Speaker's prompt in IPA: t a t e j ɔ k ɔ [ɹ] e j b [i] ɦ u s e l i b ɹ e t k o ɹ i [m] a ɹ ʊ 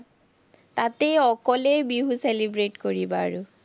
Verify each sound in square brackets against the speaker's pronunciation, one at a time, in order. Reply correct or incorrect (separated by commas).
incorrect, correct, incorrect